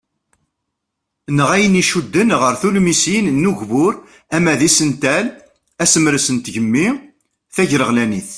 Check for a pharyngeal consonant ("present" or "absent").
absent